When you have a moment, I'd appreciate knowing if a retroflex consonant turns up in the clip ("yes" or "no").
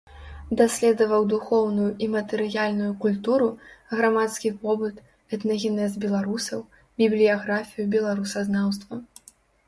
no